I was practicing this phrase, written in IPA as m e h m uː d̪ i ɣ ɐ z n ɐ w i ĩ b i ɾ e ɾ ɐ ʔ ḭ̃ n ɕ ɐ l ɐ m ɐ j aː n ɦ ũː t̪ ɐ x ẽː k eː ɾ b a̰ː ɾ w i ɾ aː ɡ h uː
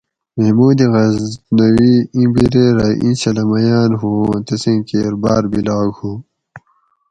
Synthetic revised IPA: m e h m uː d̪ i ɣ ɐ z n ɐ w i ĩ b i ɾ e ɾ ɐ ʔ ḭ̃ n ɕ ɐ l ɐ m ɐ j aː n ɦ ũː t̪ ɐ s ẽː k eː ɾ b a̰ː ɾ b i l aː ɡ h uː